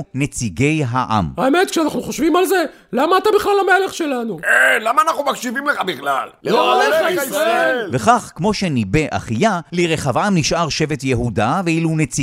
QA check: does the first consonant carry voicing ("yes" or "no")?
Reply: yes